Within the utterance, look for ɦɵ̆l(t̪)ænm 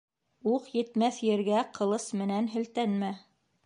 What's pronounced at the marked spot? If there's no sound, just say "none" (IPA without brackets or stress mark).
t̪